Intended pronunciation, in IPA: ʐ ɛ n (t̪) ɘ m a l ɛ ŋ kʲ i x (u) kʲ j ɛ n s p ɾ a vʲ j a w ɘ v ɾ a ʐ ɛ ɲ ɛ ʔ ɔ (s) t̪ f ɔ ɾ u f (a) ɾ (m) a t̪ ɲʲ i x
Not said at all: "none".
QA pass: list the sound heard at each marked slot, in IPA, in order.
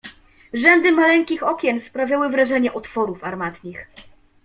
d̪, ɔ, none, a, m

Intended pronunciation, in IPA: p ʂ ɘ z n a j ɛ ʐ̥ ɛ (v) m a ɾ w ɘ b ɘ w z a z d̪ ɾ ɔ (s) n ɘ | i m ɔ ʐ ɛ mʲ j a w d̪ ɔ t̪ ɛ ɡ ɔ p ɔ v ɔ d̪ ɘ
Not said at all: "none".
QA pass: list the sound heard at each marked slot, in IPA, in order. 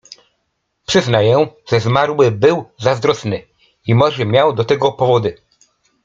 z, s

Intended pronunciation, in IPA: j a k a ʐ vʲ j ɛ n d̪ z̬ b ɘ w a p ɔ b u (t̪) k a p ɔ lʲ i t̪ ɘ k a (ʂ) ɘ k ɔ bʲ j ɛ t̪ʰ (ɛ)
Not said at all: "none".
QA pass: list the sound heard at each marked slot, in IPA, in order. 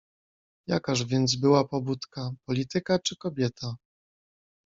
t̪, t͡ʂ, a

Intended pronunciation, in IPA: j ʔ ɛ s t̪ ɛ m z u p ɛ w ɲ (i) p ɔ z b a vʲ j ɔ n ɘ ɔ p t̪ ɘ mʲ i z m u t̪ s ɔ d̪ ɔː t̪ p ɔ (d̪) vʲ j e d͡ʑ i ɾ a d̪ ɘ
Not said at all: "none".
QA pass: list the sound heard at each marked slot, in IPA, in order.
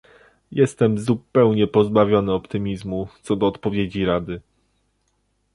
ɛ, none

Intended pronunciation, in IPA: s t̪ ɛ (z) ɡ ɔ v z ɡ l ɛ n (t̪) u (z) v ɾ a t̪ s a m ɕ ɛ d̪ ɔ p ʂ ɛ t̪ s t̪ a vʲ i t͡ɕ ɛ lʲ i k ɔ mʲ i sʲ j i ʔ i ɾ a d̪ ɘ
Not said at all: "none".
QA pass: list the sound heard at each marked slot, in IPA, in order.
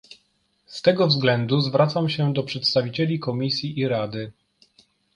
none, d̪, z

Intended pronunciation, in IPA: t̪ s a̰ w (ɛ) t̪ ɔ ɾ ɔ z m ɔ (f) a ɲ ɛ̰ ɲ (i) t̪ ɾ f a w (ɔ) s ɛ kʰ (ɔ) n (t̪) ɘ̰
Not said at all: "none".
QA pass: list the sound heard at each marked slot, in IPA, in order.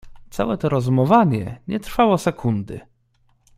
ɛ, v, ɛ, ɔ, u, d̪

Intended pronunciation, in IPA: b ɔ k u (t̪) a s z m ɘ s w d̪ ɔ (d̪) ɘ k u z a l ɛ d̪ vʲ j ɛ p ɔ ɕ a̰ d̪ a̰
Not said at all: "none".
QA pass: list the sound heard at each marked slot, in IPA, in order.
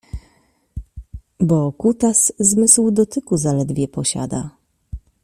t̪, t̪

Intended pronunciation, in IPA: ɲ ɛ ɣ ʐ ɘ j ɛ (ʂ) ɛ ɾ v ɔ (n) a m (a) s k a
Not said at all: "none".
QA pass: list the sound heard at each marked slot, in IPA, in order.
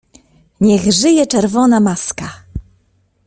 t͡ʂ, n, a

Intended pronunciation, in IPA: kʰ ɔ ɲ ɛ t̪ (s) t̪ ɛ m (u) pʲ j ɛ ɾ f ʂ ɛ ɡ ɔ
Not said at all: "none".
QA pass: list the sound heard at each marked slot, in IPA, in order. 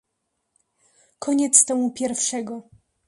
s, u

